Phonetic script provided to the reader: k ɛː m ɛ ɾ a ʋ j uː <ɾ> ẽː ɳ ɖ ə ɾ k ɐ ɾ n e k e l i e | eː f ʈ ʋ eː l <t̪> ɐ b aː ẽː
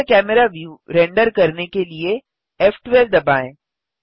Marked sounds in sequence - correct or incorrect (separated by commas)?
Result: correct, incorrect